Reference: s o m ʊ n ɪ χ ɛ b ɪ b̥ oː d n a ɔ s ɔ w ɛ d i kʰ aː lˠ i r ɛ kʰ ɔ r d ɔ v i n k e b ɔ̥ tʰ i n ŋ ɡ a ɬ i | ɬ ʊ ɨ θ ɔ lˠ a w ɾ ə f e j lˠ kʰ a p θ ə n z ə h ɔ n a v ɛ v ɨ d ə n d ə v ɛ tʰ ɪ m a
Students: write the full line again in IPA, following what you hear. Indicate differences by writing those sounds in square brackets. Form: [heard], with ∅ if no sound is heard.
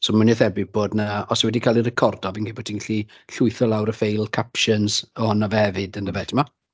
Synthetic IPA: s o m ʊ n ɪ [θ] ɛ b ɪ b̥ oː d n a ɔ s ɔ w ɛ d i kʰ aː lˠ i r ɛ kʰ ɔ r d ɔ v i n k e b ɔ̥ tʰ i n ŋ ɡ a ɬ i | ɬ ʊ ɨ θ ɔ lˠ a w ɾ ə f e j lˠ kʰ a p [ʃ] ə n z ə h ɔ n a v ɛ v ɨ d ə n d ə v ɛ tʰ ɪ m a